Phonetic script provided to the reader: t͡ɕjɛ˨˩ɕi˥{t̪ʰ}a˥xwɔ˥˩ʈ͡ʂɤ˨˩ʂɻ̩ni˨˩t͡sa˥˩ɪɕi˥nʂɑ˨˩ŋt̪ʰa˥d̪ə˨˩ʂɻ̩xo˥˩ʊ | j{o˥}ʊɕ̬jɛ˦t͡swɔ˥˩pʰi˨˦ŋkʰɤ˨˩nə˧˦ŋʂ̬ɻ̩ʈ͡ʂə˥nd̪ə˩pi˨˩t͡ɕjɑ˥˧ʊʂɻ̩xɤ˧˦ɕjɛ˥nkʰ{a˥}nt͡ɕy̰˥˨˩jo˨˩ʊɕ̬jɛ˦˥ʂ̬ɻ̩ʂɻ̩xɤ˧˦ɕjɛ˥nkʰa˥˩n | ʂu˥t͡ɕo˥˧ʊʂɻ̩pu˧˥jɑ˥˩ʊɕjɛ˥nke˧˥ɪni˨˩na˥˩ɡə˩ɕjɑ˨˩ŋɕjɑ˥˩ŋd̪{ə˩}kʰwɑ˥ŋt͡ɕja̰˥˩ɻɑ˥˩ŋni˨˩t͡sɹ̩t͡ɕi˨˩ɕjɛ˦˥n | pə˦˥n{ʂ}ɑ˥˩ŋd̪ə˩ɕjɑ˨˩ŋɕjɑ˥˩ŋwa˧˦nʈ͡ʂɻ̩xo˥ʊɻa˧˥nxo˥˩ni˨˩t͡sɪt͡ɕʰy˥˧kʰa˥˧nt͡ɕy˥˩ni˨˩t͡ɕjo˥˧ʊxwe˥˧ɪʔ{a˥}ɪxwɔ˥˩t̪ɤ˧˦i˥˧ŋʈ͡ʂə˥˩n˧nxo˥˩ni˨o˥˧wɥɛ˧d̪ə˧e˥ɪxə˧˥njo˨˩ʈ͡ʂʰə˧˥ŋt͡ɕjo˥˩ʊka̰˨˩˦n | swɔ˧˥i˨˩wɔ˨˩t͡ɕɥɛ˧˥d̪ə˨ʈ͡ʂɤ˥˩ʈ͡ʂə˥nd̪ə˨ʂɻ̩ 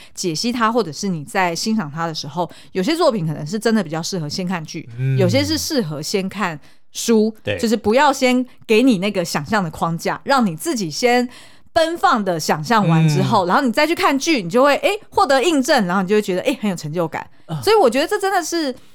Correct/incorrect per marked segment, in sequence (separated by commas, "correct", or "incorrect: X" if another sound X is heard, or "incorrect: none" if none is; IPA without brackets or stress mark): correct, incorrect: o˨˩, incorrect: a˥˧, correct, incorrect: f, incorrect: e˥